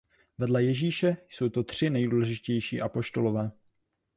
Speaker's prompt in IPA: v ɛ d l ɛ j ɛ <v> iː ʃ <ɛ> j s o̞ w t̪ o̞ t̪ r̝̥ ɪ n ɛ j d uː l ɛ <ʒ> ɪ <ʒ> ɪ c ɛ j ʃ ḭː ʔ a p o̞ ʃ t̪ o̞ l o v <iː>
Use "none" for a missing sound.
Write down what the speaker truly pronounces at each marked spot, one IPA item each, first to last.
ʒ, ɛ, ʒ, ʒ, ɛː

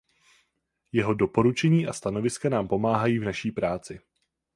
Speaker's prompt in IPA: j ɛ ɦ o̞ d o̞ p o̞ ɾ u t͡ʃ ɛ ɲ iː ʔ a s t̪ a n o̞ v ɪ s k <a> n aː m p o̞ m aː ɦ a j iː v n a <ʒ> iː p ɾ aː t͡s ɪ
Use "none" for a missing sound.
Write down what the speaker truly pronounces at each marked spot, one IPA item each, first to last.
a, ʃ

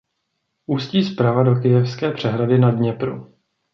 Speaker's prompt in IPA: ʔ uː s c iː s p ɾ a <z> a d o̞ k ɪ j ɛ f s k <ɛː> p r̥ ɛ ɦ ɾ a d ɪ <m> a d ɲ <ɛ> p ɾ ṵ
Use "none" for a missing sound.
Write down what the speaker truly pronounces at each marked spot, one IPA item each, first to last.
v, ɛː, n, ɛ

